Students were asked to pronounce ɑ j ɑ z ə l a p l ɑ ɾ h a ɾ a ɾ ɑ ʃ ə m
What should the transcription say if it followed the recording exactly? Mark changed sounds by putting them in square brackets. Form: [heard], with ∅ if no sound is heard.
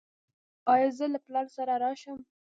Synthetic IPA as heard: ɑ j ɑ z ə l a p l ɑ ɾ [s] a ɾ a ɾ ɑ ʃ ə m